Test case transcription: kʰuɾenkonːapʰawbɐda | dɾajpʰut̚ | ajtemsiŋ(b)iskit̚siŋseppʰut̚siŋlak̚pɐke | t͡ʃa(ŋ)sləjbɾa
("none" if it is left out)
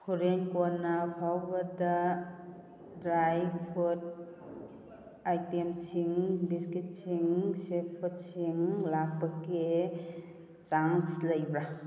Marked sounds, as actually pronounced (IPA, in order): b, ŋ

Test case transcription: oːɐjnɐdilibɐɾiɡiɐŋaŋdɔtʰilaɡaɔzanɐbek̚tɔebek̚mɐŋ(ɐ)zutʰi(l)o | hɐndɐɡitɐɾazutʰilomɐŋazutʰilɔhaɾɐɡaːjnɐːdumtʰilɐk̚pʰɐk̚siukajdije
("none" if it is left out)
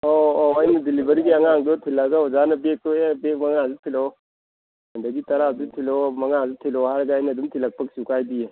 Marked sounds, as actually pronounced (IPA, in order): a, l

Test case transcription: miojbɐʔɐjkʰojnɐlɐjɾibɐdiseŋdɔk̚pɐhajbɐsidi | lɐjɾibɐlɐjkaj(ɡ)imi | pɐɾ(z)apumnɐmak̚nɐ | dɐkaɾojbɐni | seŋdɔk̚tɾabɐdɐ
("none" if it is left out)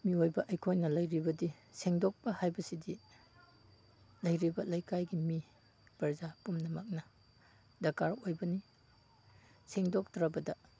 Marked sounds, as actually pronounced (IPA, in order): ɡ, z

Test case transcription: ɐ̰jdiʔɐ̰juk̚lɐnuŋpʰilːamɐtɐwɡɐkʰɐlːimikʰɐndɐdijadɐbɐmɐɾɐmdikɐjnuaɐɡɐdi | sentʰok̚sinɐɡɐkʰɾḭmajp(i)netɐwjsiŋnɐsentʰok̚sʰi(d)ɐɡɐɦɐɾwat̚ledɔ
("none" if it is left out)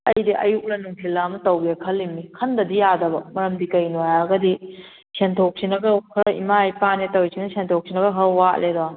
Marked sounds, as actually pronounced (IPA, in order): a, n

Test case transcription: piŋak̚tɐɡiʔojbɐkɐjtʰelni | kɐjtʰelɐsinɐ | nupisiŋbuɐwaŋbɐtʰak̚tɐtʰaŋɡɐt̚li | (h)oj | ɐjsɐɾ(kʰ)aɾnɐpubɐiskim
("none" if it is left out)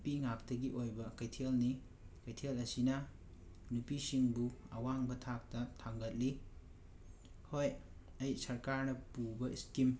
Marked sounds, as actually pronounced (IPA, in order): h, k

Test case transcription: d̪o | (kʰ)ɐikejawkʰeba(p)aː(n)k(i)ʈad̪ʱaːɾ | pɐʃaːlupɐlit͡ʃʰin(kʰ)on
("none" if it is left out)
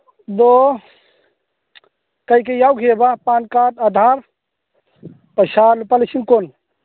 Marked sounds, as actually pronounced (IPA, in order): k, p, n, a, k

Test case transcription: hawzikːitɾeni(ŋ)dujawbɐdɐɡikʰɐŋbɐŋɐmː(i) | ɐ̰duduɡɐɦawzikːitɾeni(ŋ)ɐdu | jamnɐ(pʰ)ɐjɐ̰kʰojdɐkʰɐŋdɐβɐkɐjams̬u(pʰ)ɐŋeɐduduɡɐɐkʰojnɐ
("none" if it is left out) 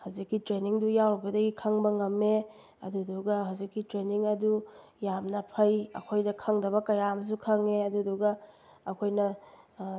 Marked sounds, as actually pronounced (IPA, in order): ŋ, e, ŋ, pʰ, kʰ

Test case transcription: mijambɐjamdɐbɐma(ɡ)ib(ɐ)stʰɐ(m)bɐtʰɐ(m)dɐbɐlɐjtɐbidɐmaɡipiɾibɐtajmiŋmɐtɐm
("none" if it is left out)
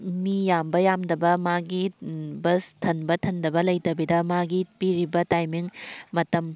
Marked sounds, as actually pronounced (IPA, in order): ɡ, ɐ, n, n

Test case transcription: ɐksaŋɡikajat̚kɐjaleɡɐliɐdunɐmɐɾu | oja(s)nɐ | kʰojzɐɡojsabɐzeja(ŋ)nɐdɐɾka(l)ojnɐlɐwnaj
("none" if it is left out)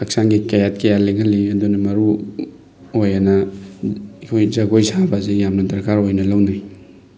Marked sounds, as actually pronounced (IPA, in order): none, m, ɾ

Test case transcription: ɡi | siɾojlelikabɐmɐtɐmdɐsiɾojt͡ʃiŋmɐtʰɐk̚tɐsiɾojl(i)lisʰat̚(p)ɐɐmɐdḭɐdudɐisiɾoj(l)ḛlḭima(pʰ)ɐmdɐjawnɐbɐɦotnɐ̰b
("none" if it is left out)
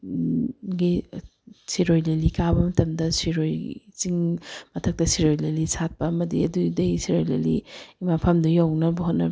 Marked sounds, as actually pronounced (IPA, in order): e, p, l, pʰ

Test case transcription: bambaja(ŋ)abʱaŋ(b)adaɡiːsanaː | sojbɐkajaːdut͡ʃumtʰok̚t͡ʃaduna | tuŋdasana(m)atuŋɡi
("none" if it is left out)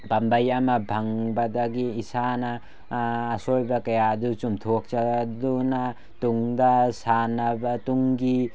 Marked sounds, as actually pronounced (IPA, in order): m, b, b

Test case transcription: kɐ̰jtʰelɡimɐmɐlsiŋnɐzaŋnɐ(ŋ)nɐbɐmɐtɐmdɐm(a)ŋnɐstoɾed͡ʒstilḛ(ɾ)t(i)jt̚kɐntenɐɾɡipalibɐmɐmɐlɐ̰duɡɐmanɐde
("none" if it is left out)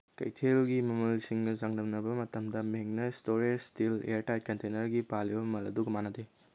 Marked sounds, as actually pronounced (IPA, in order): m, e, ɾ, a

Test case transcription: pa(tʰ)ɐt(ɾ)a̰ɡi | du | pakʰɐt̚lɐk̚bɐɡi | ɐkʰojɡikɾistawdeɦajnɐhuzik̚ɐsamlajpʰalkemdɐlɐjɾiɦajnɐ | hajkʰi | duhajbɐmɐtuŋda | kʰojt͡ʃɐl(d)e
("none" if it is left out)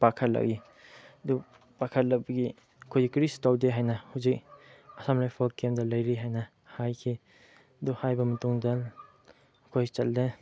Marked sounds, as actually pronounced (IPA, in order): kʰ, l, d

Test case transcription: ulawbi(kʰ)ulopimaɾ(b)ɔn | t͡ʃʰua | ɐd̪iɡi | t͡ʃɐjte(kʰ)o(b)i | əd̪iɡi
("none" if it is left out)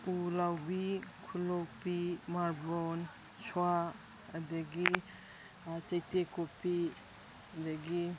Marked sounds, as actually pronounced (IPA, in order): kʰ, b, k, p

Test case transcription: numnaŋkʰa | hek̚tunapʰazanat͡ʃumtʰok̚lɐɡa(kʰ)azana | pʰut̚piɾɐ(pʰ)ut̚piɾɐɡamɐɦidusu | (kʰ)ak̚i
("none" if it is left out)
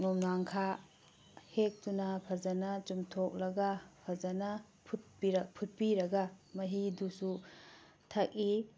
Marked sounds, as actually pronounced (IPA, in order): pʰ, pʰ, tʰ

